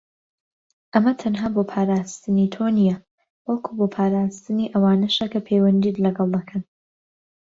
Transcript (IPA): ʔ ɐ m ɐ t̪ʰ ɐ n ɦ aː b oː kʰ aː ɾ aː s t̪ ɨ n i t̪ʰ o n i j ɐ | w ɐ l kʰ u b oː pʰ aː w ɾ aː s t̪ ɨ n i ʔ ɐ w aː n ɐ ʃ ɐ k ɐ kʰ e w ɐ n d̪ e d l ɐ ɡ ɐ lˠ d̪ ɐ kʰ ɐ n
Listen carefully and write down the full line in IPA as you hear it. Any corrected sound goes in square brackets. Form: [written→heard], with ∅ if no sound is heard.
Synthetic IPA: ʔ ɐ m ɐ t̪ʰ ɐ n ɦ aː b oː [kʰ→pʰ] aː ɾ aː s t̪ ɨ n i t̪ʰ o n i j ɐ | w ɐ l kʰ u b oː pʰ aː [w→∅] ɾ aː s t̪ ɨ n i ʔ ɐ w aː n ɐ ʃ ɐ k ɐ [kʰ→pʰ] e w ɐ n d̪ [e→i] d l ɐ ɡ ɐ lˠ d̪ ɐ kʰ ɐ n